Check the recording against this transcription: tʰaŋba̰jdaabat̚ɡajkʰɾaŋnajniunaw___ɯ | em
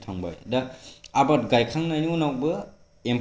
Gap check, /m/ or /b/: b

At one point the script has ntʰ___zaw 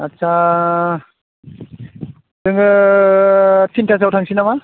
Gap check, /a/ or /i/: a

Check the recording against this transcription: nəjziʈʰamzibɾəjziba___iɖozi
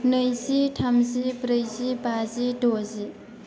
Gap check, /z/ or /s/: z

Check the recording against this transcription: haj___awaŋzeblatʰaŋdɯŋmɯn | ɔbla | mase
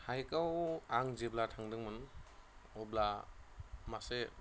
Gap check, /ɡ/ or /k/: k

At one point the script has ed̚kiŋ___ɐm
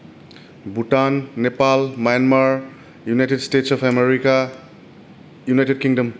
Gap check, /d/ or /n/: d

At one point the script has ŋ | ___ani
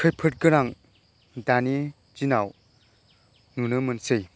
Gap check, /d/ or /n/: d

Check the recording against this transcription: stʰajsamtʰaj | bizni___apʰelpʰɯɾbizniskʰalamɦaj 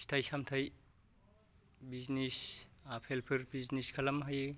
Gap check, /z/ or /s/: s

